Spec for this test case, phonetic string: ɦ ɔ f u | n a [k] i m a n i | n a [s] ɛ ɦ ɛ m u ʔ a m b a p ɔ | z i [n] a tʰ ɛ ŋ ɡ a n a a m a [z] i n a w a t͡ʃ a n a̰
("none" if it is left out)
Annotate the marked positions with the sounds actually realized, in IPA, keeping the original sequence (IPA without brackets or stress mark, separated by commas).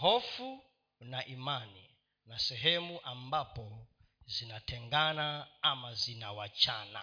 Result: ʔ, s, n, z